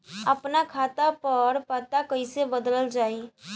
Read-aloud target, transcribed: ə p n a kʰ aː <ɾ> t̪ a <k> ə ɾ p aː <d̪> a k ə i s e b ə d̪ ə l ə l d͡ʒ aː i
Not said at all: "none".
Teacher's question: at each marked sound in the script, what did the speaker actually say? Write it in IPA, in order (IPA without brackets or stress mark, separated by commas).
none, p, t̪